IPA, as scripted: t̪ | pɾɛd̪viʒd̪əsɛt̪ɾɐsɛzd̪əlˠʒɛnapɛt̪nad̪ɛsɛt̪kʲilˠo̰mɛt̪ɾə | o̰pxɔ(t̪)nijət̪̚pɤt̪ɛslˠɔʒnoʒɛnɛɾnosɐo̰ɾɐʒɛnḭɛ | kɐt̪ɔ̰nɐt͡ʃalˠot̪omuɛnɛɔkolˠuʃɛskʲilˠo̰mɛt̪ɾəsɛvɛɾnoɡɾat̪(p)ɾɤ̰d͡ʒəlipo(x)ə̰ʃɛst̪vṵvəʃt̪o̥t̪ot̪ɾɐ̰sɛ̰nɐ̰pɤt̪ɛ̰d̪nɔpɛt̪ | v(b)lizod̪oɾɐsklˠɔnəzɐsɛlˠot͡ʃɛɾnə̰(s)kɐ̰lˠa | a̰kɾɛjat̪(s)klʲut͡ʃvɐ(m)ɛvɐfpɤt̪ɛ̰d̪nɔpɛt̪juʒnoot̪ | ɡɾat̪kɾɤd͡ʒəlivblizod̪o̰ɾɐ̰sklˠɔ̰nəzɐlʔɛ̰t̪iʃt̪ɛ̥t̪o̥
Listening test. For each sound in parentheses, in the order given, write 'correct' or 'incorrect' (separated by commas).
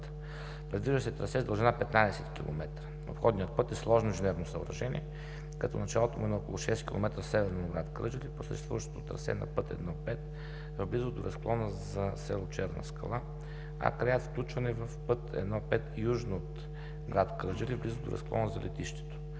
incorrect, incorrect, incorrect, correct, correct, incorrect, incorrect